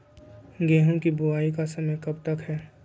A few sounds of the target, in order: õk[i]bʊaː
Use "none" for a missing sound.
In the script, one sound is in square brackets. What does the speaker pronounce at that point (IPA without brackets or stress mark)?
i